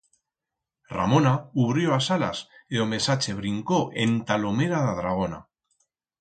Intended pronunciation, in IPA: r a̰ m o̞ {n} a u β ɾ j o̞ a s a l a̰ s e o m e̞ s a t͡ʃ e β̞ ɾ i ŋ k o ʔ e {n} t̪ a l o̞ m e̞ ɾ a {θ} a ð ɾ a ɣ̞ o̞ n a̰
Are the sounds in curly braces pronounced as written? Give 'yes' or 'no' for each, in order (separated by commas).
yes, yes, no